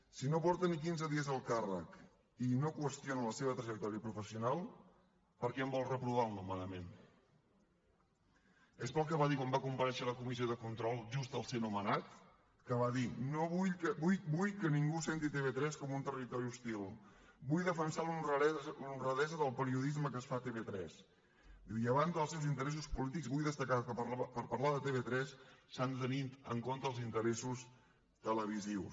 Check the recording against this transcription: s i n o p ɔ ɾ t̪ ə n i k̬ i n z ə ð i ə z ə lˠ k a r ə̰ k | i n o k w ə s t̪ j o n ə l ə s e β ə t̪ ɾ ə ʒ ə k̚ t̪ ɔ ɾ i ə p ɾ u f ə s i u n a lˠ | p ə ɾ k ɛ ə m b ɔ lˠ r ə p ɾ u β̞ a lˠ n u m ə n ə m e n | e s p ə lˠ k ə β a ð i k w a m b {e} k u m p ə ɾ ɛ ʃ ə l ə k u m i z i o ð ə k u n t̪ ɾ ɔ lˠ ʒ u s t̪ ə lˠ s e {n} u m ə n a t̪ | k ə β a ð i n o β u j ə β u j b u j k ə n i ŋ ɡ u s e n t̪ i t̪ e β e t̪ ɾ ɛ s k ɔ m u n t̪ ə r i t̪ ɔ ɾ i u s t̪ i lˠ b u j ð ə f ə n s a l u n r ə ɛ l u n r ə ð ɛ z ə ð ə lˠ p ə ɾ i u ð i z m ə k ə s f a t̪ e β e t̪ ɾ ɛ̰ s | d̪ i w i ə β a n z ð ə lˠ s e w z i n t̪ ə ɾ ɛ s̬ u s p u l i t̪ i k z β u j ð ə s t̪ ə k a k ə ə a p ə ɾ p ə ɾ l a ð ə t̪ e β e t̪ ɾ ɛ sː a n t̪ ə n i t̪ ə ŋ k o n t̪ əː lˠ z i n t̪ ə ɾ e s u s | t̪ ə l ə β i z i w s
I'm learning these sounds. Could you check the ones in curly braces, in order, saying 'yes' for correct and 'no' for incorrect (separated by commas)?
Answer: no, yes